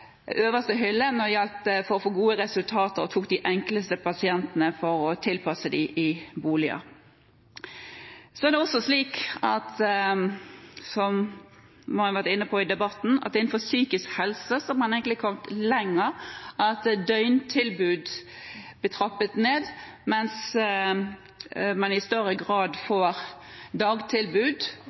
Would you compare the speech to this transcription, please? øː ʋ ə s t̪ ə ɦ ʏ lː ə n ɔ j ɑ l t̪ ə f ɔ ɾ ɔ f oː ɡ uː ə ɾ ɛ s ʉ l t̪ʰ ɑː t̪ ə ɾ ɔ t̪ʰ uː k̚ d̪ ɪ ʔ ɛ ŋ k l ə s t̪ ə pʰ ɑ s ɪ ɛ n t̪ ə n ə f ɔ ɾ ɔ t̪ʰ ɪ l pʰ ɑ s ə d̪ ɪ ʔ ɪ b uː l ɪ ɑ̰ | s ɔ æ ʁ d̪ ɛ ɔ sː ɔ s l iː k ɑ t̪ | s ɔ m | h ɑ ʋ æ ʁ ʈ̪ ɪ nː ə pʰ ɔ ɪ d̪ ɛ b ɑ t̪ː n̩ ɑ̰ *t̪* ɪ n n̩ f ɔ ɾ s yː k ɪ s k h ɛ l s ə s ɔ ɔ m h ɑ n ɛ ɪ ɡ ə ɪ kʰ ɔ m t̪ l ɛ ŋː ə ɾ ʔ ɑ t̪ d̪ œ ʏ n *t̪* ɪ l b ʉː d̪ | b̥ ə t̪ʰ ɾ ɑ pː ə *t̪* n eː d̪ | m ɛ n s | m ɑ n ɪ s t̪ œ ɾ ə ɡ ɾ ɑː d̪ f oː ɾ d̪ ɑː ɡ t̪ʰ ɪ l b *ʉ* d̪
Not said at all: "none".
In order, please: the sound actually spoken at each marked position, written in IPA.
t̪, t̪ʰ, t̪, ʉː

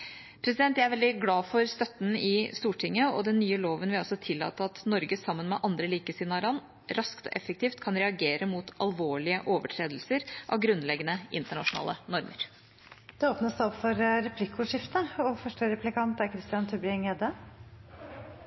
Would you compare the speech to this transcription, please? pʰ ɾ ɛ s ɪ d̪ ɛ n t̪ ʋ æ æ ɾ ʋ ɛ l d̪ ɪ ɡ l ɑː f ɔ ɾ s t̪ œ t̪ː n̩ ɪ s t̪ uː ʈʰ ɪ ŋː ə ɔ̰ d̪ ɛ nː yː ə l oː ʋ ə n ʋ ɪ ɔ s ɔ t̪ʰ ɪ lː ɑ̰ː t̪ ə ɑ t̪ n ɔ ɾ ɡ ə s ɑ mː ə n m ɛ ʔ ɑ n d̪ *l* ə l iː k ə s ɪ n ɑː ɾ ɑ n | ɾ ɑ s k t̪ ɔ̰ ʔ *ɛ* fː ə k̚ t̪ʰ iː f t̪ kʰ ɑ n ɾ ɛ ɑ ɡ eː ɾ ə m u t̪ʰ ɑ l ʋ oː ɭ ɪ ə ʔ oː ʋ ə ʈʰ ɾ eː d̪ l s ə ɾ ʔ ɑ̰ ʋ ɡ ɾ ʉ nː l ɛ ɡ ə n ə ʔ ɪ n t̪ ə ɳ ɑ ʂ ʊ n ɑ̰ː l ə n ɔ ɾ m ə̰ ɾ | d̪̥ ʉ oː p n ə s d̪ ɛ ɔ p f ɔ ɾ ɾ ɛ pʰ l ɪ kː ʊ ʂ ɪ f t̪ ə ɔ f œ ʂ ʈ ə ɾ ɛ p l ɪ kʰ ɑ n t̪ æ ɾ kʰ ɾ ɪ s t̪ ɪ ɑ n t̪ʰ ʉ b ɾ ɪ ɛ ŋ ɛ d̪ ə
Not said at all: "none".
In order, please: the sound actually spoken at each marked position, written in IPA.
ɾ, ɛ

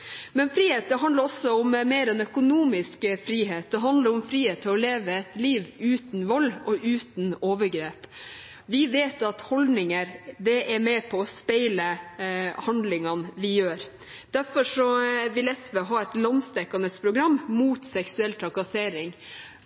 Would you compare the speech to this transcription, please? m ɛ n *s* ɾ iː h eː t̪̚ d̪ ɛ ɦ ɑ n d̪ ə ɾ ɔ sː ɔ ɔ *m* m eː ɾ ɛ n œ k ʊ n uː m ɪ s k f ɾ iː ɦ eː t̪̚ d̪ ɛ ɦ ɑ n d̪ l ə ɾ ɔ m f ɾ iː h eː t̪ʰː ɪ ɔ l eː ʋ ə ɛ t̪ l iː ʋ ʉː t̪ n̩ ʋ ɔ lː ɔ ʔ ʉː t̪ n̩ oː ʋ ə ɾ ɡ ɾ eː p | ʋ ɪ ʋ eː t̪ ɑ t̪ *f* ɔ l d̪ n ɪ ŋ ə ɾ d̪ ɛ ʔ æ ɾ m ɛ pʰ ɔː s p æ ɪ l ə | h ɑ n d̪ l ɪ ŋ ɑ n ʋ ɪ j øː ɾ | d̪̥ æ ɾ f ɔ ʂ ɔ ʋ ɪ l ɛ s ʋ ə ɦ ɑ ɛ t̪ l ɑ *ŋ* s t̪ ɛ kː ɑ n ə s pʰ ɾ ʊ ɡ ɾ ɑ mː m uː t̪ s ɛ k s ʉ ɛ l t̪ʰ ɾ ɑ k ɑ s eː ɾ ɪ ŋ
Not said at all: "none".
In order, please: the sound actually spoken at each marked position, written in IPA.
f, m, h, n

